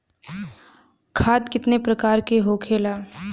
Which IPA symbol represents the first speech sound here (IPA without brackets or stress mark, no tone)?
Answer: kʰ